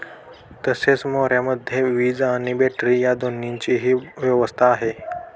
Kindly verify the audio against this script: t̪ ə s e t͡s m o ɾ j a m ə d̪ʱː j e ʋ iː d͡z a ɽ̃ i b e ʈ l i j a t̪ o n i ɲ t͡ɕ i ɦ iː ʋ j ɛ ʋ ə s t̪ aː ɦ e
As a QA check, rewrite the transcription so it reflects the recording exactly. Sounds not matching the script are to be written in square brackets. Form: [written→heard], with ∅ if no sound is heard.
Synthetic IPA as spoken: t̪ ə s e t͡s m o ɾ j a m ə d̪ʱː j e ʋ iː d͡z a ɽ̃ i b e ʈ [l→ɾ] i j a [t̪→d̪] o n i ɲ t͡ɕ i ɦ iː ʋ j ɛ ʋ ə s [t̪→t̪ʰ] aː ɦ e